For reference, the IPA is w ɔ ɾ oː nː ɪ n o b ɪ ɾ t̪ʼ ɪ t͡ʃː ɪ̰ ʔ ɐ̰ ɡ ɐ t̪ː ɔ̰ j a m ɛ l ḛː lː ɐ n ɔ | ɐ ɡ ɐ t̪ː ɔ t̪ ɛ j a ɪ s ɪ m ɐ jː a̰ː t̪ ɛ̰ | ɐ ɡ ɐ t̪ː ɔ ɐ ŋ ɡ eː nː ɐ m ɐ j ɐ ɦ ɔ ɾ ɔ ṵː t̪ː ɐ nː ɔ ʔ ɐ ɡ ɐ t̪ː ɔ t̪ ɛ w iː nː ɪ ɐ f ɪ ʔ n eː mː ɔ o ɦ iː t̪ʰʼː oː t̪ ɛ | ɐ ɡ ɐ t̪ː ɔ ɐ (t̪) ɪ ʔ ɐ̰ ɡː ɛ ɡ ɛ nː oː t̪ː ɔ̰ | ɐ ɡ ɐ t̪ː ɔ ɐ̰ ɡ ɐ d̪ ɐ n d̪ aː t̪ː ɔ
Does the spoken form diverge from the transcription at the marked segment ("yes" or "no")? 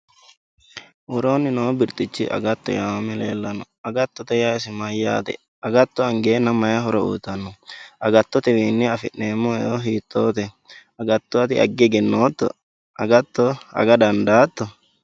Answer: no